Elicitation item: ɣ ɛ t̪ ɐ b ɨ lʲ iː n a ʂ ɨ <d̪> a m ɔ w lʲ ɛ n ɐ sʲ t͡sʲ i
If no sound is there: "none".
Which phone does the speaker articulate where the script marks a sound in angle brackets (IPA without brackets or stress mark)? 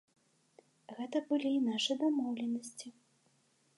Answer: d̪